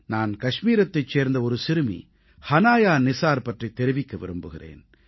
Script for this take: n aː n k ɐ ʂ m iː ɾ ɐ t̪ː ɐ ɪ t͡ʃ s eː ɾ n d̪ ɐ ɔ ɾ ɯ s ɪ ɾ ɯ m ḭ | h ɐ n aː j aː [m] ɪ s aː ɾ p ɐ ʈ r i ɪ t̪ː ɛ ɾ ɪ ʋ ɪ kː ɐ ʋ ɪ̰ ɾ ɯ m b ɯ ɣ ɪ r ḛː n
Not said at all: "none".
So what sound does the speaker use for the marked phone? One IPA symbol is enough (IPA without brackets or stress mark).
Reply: n